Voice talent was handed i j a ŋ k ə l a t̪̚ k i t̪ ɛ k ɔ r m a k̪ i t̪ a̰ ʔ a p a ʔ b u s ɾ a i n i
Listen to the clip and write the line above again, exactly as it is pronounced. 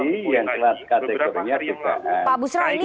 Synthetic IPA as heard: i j a ŋ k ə l a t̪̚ k a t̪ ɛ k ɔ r ɲ a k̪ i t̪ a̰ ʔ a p a b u s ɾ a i n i